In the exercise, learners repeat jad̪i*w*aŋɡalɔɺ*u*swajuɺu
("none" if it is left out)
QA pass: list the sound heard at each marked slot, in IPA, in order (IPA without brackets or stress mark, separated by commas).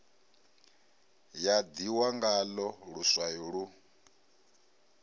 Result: w, u